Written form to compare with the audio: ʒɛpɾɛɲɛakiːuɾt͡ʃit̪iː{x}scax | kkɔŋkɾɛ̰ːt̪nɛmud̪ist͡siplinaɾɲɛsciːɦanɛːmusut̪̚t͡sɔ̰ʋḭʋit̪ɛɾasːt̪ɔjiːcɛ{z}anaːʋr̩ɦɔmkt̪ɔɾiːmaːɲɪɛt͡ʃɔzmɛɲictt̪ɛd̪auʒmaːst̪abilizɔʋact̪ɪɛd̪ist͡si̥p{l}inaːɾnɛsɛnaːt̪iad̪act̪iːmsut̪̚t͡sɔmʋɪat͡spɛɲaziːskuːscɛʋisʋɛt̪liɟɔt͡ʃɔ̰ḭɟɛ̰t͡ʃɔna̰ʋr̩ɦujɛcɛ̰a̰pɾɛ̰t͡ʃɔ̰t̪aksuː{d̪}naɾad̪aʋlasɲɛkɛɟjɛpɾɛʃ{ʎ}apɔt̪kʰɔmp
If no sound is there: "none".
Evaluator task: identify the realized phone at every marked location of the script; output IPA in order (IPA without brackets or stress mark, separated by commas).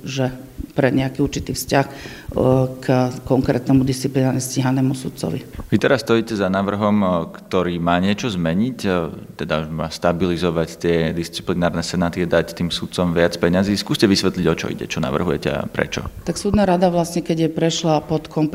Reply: f, z, l, d̪, l